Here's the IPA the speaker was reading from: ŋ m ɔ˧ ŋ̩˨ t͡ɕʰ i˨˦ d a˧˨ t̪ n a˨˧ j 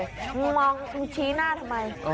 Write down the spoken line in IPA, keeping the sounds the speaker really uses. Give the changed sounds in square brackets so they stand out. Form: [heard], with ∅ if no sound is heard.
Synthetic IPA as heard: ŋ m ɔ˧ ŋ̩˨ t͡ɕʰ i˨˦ [n] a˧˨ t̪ [m] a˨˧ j